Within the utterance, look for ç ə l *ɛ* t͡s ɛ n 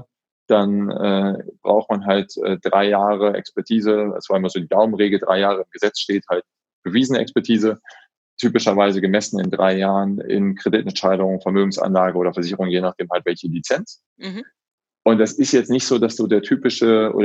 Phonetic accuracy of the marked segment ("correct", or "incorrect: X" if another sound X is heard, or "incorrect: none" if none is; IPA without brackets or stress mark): incorrect: i